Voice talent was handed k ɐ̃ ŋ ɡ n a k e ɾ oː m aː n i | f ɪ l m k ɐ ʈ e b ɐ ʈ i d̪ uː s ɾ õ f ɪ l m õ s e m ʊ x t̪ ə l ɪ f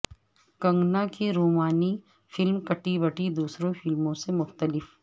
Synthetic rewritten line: k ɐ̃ ŋ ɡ n a k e ɾ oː m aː n i | f ɪ l m k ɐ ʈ i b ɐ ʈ i d̪ uː s ɾ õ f ɪ l m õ s e m ʊ x t̪ ə l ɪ f